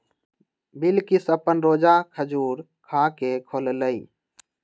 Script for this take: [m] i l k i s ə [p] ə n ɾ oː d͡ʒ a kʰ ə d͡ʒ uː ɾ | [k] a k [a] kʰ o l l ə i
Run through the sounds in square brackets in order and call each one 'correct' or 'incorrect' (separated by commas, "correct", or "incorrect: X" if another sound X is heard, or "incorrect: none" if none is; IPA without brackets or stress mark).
incorrect: b, correct, incorrect: kʰ, incorrect: e